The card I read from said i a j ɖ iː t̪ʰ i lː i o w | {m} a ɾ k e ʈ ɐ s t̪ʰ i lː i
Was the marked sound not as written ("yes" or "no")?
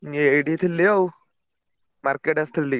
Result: no